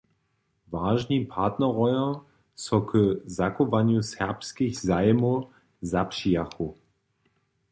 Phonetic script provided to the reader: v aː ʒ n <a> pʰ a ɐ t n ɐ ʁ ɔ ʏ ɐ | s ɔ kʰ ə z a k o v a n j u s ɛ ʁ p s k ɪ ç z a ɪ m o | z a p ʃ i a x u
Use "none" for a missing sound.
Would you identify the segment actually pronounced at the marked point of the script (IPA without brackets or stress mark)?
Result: i